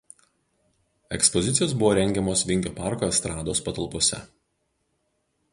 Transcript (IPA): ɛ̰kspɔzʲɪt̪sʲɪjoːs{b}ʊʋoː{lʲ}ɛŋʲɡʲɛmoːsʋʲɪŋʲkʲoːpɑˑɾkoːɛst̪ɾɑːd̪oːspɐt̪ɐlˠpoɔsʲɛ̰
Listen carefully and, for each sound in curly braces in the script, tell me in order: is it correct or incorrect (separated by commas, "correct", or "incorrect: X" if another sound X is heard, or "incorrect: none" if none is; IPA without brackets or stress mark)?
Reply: correct, incorrect: ɾʲ